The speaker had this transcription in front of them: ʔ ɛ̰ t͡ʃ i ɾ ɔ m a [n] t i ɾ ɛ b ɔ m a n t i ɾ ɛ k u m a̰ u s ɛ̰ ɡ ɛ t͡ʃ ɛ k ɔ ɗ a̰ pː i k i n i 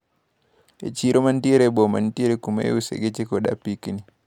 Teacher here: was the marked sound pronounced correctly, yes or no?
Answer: yes